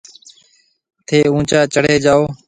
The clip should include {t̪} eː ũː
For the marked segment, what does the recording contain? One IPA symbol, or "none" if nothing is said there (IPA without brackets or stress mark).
t̪ʰ